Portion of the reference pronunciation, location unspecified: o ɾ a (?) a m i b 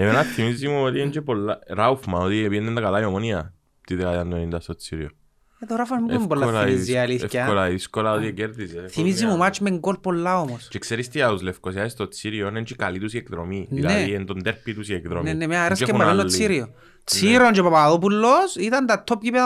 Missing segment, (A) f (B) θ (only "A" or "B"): A